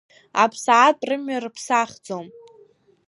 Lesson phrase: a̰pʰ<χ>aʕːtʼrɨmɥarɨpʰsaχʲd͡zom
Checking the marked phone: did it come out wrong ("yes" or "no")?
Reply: yes